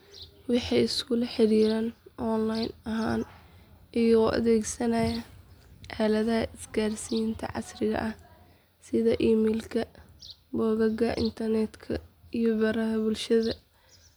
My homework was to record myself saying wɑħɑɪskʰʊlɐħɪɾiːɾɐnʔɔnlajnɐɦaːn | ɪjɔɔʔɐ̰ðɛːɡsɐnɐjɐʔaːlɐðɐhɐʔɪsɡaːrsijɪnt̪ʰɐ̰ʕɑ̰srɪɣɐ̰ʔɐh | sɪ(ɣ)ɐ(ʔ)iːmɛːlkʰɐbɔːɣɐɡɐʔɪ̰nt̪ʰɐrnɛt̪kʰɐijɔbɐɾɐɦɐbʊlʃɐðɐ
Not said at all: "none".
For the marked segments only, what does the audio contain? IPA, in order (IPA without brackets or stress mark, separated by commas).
ð, ʔ